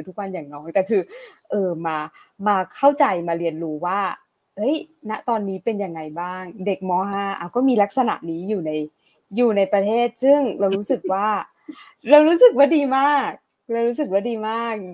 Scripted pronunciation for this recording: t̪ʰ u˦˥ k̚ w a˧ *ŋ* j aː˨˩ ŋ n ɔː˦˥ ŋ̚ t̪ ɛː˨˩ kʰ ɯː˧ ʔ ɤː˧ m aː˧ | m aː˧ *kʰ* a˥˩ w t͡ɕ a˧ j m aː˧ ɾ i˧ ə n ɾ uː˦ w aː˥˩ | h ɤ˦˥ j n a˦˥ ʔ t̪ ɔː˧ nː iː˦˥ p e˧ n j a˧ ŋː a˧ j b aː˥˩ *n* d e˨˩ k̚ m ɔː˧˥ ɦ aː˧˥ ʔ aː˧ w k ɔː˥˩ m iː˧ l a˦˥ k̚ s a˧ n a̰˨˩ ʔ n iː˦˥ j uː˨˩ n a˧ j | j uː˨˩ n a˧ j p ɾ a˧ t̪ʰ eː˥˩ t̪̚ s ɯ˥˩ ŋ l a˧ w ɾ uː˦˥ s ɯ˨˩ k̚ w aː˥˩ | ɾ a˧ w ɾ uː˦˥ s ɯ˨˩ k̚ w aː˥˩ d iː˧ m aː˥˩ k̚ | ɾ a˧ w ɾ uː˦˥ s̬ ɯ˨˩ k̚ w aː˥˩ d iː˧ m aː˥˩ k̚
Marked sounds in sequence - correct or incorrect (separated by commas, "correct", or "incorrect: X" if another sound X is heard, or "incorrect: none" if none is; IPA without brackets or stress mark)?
incorrect: n, correct, incorrect: ŋ